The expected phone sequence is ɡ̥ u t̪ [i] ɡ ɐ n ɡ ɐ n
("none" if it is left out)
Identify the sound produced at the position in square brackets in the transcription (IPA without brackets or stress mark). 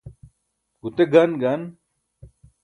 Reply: e